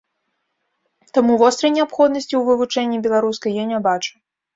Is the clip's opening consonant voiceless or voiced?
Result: voiceless